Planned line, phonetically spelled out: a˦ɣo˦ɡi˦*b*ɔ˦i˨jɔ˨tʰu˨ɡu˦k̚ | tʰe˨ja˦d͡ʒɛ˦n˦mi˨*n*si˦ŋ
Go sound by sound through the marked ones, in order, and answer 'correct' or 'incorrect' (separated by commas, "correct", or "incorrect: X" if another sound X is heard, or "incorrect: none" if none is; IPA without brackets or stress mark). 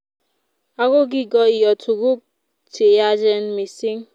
incorrect: ɡ, incorrect: none